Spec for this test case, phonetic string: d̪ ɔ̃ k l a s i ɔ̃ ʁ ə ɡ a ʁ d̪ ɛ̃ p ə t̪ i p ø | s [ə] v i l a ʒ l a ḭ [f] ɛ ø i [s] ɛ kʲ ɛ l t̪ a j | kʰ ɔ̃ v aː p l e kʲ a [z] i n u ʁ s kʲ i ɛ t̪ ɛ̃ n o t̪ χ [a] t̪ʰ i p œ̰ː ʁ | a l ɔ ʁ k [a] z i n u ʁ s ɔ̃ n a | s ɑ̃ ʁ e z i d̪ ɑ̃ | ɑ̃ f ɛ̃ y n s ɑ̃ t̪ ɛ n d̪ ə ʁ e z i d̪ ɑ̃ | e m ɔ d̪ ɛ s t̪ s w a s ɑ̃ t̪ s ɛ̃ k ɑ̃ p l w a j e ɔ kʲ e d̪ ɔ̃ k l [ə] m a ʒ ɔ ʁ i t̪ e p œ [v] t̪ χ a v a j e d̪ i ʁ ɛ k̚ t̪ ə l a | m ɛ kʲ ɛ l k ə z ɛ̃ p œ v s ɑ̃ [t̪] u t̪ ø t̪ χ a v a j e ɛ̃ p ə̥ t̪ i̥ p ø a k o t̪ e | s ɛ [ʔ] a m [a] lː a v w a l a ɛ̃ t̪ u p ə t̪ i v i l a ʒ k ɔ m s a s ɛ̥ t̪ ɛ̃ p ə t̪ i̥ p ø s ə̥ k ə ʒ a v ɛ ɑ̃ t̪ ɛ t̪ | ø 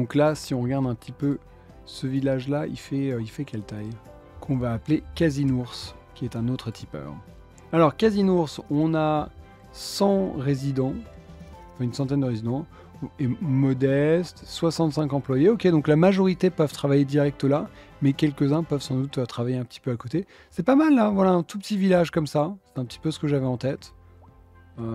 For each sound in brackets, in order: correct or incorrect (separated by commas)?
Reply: correct, correct, incorrect, correct, incorrect, correct, incorrect, correct, incorrect, incorrect, correct